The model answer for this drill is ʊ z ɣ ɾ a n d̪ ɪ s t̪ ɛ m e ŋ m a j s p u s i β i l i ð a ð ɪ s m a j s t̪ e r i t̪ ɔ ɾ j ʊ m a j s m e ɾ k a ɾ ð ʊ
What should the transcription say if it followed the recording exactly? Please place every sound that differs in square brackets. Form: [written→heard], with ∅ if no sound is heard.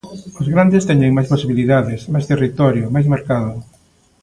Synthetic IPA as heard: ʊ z ɣ ɾ a n d̪ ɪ s t̪ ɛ [m→ɲ] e ŋ m a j s p [u→o] s i β i l i ð a ð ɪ s m a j s t̪ e r i t̪ ɔ ɾ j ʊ m a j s m e ɾ k a [ɾ→∅] ð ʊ